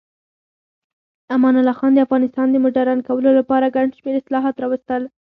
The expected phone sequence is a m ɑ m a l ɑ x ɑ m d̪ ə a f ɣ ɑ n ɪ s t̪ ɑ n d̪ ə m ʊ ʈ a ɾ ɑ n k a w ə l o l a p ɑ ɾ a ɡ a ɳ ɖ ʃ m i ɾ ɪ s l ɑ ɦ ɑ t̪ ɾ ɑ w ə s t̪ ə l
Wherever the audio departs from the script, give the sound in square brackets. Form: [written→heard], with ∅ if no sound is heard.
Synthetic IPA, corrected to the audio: a m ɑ [m→n] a l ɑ x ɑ [m→n] d̪ ə a f ɣ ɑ n ɪ s t̪ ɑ n d̪ ə m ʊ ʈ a ɾ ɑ n k a w ə l o l a p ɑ ɾ a ɡ a ɳ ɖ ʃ m [i→e] ɾ ɪ s l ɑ ɦ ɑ t̪ ɾ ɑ w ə s t̪ ə l